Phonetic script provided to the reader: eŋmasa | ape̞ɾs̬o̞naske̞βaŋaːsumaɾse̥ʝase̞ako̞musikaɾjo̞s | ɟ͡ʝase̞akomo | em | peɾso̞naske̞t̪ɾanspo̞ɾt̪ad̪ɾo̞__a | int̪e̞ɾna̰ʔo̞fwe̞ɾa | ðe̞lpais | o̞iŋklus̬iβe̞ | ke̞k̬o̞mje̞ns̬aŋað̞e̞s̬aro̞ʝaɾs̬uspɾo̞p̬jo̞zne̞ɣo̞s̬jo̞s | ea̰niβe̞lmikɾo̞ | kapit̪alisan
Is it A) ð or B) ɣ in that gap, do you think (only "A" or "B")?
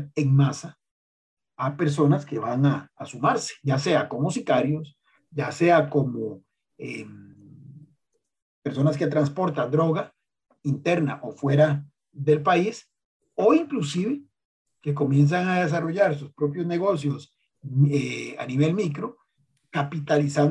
B